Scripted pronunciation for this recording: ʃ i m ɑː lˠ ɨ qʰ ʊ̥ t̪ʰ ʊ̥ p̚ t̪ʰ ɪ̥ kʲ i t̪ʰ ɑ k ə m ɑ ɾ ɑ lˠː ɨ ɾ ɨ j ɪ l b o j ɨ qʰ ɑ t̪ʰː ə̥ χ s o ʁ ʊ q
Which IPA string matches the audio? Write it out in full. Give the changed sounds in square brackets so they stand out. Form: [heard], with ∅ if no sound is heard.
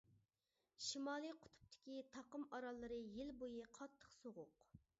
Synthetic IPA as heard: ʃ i m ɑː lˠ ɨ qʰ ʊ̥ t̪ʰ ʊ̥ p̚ t̪ʰ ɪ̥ kʲ i t̪ʰ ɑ [q] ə m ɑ ɾ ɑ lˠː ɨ ɾ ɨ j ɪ l b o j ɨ qʰ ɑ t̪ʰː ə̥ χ s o ʁ ʊ q